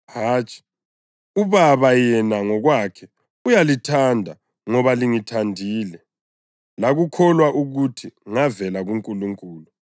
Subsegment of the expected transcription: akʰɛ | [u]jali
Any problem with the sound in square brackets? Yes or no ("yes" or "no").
no